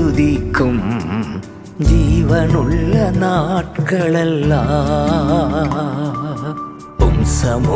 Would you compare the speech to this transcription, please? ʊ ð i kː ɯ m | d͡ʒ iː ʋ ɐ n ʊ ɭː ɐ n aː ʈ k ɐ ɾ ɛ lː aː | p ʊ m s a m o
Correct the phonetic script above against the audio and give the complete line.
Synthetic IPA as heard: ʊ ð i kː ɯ m | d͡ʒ iː ʋ ɐ n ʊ ɭː ɐ n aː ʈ k ɐ ɭ ɛ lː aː | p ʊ m s ɐ m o